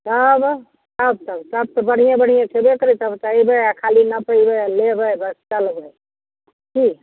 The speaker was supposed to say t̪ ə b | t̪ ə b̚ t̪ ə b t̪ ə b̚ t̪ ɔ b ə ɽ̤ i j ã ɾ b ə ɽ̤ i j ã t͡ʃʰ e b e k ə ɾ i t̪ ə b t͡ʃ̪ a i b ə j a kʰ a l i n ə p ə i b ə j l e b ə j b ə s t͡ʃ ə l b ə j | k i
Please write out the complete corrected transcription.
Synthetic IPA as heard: t̪ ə b | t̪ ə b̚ t̪ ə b t̪ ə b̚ t̪ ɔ b ə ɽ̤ i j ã b ə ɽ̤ i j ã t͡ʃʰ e b e k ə ɾ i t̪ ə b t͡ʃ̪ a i b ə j a kʰ a l i n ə p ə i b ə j l e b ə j b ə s t͡ʃ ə l b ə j | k i

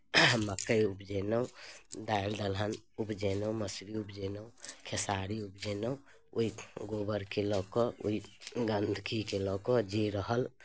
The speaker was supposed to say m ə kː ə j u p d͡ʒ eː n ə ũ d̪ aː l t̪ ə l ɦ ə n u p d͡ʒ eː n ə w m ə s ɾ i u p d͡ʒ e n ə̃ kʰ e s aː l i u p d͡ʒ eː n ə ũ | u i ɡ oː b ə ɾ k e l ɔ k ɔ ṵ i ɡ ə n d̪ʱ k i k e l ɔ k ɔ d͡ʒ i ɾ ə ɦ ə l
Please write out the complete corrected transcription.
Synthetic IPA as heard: m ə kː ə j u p d͡ʒ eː n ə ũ d̪ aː l d̪ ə l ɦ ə n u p d͡ʒ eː n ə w m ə s ɾ i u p d͡ʒ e n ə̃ kʰ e s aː ɾ i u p d͡ʒ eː n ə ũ | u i ɡ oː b ə ɾ k e l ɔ k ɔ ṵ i ɡ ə n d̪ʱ k i k e l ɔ k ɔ d͡ʒ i ɾ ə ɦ ə l

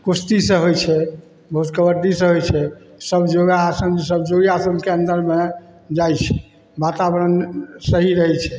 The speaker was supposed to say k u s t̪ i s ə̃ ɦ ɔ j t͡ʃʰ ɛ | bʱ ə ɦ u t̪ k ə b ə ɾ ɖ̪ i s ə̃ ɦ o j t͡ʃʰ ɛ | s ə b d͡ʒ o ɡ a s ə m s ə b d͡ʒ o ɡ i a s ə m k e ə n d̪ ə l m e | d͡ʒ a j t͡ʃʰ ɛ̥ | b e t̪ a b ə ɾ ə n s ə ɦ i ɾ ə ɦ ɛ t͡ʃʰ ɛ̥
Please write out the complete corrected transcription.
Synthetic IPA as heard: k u s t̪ i s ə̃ ɦ o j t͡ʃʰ ɛ | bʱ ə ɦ u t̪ k ə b ə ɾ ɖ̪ i s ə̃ ɦ o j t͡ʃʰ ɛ | s ə b d͡ʒ o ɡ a s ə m s ə b d͡ʒ o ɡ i a s ə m k e ə n d̪ ə ɾ m e | d͡ʒ a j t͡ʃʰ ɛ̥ | b a t̪ a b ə ɾ ə n s ə ɦ i ɾ ə ɦ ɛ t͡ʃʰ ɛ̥

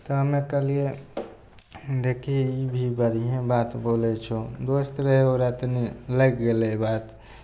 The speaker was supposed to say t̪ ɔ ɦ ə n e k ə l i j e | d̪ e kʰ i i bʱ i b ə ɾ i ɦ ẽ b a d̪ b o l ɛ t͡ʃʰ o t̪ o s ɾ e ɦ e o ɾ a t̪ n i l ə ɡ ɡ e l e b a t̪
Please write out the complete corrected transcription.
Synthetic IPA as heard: t̪ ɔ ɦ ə m e k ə l i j e | d̪ e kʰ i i bʱ i b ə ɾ i ɦ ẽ b a t̪ b o l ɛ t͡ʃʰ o d̪ o s ɾ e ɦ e o ɾ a t̪ n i l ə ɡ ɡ e l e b a t̪

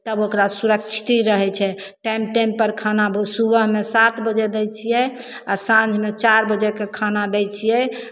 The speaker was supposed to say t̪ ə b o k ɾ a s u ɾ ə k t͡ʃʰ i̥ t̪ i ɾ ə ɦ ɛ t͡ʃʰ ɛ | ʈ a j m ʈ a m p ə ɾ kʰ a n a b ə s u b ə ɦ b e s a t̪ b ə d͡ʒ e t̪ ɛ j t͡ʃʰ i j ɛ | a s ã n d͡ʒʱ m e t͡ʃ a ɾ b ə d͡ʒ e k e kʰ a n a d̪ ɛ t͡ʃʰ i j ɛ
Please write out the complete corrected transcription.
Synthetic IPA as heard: t̪ ə b o k ɾ a s u ɾ ə k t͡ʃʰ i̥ t̪ i ɾ ə ɦ ɛ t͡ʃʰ ɛ | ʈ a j m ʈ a m p ə ɾ kʰ a n a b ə s u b ə ɦ m e s a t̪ b ə d͡ʒ e d̪ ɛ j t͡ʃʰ i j ɛ | a s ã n d͡ʒʱ m e t͡ʃ a ɾ b ə d͡ʒ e k e kʰ a n a d̪ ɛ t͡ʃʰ i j ɛ

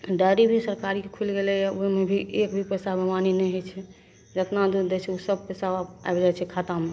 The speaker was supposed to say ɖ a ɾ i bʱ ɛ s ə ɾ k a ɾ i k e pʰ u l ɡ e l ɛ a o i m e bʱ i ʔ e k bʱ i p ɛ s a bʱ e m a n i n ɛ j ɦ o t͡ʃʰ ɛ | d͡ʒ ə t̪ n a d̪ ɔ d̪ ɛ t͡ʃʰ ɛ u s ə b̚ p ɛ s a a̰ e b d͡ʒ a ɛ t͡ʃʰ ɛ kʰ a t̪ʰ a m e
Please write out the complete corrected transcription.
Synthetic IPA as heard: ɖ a ɾ i bʱ i s ə ɾ k a ɾ i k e kʰ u l ɡ e l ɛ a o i m e bʱ i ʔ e k bʱ i p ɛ s a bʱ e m a n i n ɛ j ɦ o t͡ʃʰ ɛ | d͡ʒ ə t̪ n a d̪ u d̪ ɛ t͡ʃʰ ɛ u s ə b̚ p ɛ s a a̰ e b d͡ʒ a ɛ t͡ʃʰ ɛ kʰ a t̪ a m e

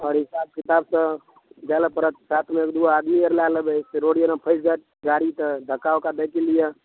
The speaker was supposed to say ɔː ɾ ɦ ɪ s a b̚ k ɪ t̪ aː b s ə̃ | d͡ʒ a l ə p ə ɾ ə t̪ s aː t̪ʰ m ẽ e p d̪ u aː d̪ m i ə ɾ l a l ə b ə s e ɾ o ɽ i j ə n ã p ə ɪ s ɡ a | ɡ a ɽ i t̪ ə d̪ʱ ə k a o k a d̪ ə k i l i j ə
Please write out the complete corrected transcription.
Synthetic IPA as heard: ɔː ɾ ɦ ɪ s a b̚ k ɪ t̪ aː b s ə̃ | d͡ʒ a l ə p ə ɾ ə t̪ s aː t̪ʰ m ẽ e k d̪ u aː d̪ m i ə ɾ l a l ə b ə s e ɾ o ɽ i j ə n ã pʰ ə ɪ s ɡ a | ɡ a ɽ i t̪ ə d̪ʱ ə k a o k a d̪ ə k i l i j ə

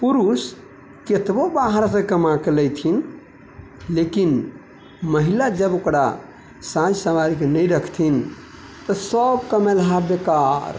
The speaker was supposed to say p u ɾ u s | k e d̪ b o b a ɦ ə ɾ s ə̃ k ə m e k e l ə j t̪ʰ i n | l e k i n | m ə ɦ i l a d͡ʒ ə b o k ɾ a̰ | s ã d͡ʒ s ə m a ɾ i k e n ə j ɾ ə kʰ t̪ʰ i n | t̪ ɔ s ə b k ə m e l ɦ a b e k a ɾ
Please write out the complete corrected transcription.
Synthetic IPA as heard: p u ɾ u s | k e t̪ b o b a ɦ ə ɾ s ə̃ k ə m a k e l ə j t̪ʰ i n | l e k i n | m ə ɦ i l a d͡ʒ ə b o k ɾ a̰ | s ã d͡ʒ s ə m a ɾ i k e n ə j ɾ ə kʰ t̪ʰ i n | t̪ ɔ s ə b k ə m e l ɦ a b e k a ɾ

